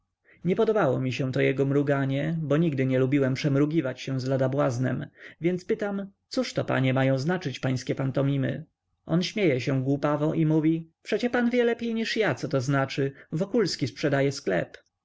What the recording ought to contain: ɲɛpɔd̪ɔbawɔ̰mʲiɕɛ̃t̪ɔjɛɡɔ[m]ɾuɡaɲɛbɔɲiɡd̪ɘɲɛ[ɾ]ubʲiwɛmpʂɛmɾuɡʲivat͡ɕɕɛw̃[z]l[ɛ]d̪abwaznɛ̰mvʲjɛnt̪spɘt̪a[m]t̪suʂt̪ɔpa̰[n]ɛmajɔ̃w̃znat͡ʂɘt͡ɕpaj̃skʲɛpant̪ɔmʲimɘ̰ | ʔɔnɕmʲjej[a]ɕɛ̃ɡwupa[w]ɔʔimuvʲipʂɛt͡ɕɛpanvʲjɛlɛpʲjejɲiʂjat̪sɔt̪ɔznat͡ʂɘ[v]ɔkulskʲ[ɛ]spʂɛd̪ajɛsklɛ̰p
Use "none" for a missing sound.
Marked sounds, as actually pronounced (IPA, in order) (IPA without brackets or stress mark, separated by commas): m, l, z, a, m, ɲ, ɛ, v, v, i